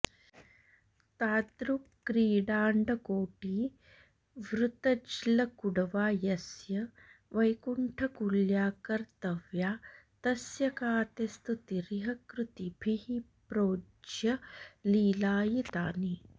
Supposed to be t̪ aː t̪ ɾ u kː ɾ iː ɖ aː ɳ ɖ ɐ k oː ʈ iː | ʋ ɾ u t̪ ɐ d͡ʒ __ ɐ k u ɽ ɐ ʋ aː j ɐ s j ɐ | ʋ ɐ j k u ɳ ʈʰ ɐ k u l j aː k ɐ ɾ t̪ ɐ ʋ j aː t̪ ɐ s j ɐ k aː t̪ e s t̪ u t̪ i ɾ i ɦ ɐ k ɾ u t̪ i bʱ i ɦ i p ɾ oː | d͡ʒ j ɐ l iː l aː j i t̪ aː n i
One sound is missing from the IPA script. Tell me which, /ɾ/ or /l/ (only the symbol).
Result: l